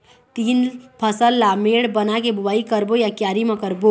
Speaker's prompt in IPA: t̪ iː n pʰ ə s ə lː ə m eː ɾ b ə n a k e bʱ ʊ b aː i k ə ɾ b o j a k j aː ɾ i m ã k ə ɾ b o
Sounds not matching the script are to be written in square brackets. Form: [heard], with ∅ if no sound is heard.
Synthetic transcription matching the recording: t̪ iː n pʰ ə s ə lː [a] m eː [ɽ] b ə n a k e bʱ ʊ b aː i k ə ɾ b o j a k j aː ɾ i m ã k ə ɾ b o